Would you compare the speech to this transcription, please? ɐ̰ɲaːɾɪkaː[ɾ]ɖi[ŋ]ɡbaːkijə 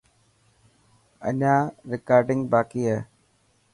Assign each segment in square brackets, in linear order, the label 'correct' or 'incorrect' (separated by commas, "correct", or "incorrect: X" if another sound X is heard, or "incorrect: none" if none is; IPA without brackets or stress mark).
correct, correct